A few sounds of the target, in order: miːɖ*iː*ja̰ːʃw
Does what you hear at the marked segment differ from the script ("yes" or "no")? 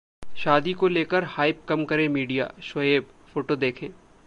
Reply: yes